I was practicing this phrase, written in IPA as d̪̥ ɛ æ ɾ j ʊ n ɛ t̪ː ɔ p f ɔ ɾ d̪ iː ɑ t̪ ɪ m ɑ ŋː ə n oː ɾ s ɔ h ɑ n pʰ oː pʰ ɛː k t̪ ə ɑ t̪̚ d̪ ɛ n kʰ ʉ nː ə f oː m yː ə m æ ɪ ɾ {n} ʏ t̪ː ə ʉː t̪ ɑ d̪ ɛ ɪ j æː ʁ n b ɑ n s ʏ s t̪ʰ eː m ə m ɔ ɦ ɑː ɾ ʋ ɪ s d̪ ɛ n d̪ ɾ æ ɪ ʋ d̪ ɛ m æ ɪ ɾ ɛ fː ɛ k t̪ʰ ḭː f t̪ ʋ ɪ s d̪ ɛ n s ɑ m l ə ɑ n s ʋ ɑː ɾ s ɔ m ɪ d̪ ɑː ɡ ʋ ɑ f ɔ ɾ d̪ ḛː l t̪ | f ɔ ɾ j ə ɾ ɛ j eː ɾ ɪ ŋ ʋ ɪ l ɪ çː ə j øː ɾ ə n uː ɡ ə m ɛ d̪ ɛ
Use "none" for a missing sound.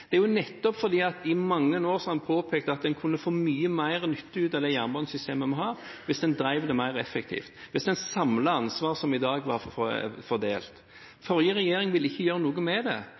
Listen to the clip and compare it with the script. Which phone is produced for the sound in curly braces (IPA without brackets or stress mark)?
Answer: n